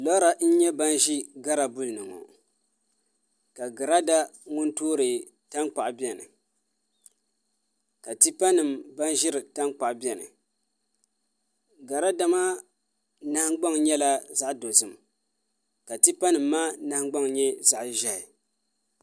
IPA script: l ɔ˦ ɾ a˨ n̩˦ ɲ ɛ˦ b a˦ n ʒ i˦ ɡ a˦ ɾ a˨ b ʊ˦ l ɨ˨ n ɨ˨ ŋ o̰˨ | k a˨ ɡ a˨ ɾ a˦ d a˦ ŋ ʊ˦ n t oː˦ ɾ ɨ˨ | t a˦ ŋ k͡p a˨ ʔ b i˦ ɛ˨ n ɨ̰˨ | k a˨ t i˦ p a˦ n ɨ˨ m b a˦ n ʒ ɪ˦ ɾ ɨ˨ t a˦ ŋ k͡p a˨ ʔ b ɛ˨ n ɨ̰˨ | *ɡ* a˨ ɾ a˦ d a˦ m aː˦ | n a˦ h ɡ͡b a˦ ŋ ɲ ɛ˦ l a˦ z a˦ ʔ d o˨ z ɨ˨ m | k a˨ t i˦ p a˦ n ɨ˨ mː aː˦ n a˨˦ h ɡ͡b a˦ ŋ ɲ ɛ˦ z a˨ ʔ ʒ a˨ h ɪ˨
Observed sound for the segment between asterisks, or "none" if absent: ɡ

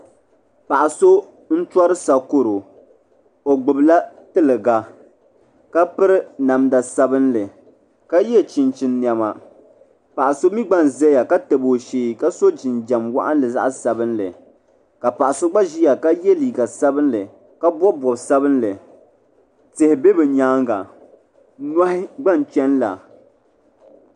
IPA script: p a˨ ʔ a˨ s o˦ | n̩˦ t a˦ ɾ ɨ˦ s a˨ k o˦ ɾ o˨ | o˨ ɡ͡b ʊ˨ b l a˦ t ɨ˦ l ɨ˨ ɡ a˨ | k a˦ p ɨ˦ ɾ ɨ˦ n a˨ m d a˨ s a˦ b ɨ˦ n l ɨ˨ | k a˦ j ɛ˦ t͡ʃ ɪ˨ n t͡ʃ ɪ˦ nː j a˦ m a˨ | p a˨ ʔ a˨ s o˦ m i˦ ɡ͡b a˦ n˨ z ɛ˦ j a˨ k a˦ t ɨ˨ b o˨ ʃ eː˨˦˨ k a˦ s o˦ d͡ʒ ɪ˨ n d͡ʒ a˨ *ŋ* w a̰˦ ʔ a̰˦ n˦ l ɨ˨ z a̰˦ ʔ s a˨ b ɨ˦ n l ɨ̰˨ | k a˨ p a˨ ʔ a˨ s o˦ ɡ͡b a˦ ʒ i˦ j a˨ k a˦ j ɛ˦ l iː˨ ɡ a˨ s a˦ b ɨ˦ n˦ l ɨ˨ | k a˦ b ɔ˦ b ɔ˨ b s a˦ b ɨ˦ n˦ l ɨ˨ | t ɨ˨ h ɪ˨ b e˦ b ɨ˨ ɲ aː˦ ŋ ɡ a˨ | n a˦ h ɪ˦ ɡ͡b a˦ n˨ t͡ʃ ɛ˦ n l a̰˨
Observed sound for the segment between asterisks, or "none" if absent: m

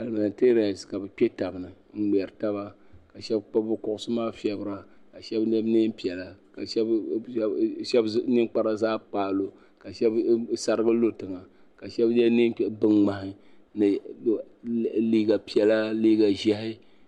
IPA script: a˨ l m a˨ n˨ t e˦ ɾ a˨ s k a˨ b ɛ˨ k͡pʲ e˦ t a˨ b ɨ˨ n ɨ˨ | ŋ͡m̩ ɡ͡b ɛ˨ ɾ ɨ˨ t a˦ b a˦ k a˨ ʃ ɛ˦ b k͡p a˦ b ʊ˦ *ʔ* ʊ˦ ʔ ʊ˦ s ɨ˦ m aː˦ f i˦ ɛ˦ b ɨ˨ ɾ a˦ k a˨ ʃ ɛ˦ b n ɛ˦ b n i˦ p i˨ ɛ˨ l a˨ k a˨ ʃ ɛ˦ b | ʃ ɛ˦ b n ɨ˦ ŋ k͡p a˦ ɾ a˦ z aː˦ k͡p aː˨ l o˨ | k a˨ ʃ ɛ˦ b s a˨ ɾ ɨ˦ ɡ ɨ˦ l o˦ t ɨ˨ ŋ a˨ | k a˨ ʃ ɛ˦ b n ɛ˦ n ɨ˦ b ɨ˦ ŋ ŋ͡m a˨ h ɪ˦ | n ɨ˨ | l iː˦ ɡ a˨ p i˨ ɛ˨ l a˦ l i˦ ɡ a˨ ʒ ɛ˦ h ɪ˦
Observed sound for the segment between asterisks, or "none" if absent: k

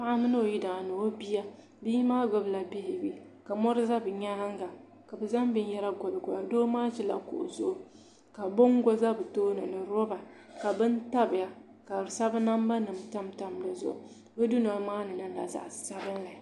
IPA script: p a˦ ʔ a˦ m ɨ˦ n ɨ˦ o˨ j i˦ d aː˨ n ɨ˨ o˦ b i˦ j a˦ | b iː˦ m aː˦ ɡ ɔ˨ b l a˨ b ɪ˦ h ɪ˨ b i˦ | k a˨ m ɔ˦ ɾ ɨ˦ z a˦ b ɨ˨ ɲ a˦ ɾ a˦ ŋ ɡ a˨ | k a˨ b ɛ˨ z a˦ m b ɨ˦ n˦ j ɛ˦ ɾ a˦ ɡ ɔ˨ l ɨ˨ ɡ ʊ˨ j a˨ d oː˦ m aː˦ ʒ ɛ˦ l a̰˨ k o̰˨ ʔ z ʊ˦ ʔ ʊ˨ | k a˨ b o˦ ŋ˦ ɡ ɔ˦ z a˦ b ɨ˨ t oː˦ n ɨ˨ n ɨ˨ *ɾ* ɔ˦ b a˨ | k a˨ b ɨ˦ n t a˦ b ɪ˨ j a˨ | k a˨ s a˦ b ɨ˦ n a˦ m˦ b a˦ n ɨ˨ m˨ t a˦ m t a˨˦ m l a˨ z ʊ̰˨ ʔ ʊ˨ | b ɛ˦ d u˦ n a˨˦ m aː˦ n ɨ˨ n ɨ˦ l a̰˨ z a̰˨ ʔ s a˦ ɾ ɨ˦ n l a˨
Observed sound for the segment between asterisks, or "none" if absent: ɾ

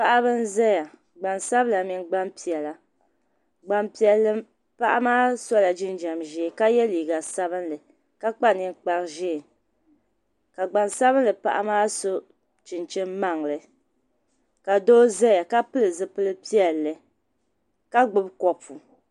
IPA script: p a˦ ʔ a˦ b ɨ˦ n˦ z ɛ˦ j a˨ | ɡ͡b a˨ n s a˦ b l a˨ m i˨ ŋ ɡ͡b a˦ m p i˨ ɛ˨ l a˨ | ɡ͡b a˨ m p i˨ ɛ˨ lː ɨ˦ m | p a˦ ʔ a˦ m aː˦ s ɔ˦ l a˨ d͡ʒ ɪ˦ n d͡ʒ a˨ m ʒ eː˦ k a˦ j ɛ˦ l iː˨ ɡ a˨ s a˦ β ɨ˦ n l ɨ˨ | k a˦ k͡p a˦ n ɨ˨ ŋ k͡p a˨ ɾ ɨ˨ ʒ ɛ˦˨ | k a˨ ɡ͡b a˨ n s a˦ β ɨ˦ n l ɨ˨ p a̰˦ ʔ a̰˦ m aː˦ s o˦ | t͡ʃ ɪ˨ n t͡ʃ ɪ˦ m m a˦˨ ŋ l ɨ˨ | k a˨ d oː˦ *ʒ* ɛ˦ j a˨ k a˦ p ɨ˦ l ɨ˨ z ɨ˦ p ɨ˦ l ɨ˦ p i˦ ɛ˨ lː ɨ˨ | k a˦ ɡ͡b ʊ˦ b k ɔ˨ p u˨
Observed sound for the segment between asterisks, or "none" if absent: z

